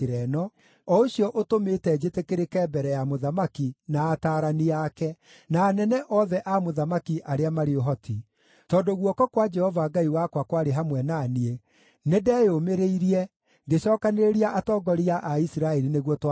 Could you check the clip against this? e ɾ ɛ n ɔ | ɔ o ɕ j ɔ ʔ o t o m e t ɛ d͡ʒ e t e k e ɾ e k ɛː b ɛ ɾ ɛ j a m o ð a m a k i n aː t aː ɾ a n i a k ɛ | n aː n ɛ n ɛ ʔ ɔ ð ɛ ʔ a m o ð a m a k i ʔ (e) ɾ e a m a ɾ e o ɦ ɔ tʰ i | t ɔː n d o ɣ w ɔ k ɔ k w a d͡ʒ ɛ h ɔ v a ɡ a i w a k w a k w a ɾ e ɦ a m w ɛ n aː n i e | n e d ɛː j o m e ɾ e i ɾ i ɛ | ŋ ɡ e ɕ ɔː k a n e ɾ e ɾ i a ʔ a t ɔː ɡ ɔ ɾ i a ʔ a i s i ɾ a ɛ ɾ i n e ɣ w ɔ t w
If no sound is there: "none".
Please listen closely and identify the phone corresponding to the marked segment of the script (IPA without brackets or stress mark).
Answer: a